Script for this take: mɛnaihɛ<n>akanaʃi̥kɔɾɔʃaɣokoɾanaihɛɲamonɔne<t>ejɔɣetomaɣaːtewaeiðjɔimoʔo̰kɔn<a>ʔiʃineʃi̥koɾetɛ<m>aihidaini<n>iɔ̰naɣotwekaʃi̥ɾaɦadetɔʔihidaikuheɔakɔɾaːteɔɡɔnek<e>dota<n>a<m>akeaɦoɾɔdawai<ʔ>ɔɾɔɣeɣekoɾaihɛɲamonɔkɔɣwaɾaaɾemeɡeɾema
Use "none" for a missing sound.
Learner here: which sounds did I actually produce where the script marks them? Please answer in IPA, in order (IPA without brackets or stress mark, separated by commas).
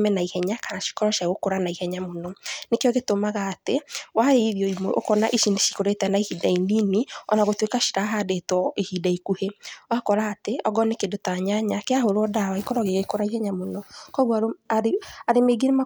ɲ, k, a, n, n, e, ɲ, ɲ, k